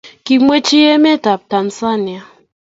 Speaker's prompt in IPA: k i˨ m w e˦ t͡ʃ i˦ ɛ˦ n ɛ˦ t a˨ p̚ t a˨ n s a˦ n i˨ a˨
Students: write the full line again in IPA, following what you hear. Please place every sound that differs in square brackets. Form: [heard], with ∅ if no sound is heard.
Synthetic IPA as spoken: k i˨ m w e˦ t͡ʃ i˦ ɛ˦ [m] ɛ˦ t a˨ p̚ t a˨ n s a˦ n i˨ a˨

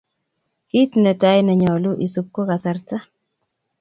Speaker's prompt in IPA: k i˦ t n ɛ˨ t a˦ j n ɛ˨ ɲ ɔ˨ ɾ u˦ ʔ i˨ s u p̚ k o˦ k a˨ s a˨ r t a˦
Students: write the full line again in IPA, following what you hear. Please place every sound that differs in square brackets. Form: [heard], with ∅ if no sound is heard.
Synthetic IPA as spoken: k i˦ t n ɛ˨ t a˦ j n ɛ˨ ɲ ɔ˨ [l] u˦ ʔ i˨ s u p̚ k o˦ k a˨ s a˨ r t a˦

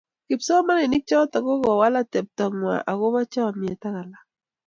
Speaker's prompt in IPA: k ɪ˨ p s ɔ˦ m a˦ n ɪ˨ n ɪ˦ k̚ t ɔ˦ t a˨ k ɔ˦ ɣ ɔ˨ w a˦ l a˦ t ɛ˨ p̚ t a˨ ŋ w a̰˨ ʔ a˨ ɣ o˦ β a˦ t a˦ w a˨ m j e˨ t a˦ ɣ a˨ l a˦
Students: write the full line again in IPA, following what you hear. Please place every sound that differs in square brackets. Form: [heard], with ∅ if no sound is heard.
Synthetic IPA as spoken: k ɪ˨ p s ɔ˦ m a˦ n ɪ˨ n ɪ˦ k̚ [t͡ʃ] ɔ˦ t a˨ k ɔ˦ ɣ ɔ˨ w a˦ l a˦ t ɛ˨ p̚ t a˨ ŋ w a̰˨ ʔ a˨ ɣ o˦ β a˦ [t͡ʃ] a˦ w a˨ m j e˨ t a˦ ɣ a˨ l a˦

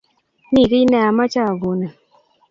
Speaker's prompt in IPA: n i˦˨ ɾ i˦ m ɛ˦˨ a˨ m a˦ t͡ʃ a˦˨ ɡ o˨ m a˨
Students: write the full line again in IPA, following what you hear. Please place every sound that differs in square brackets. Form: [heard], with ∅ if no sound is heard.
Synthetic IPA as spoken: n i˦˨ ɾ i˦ [n] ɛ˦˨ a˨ m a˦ t͡ʃ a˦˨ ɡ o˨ [n] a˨

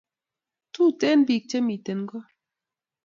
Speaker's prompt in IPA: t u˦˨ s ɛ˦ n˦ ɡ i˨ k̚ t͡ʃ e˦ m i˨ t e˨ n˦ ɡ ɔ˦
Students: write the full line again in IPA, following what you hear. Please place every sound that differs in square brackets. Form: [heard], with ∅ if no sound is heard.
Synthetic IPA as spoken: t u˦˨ [t] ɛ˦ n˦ [b] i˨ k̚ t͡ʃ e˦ m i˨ t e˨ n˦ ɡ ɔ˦

